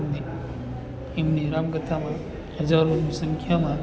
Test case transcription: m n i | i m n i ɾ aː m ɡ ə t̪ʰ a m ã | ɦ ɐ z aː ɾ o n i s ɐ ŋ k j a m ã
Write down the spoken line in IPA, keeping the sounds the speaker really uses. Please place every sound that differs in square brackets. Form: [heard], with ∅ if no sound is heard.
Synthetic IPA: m n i | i m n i ɾ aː m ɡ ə t̪ʰ a m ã | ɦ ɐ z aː ɾ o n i s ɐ ŋ [kʰ] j a m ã